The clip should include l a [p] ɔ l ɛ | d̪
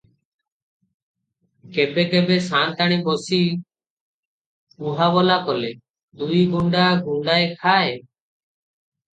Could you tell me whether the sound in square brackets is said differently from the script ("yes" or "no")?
yes